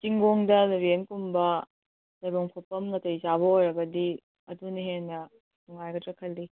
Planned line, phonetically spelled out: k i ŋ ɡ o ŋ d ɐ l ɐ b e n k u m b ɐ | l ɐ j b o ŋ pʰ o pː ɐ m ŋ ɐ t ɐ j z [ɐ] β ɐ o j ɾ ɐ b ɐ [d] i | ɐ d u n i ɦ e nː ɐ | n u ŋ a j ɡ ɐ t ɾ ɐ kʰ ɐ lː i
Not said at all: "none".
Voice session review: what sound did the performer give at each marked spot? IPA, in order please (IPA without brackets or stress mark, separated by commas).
a, d